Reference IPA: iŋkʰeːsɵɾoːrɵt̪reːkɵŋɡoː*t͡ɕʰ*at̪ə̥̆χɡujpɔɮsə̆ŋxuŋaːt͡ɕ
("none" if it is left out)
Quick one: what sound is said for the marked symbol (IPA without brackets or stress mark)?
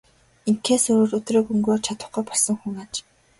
t͡ɕʰ